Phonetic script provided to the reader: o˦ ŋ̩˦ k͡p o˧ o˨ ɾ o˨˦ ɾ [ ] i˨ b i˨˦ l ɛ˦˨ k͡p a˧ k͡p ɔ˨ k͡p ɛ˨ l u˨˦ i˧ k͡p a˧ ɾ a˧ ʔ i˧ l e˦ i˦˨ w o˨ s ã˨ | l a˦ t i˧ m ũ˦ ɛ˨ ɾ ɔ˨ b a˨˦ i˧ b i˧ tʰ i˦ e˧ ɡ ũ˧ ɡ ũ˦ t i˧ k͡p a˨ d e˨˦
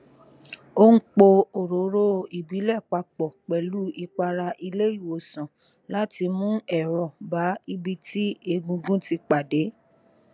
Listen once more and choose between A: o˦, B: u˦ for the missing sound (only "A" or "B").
A